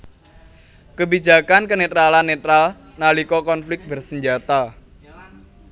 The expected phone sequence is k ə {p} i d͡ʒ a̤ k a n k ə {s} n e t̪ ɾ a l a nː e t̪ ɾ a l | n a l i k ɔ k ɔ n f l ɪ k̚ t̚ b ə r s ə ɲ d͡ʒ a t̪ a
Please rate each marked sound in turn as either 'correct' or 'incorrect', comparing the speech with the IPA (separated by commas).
incorrect, incorrect